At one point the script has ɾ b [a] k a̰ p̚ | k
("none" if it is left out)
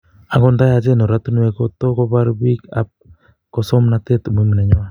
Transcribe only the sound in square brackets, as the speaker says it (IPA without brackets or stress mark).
i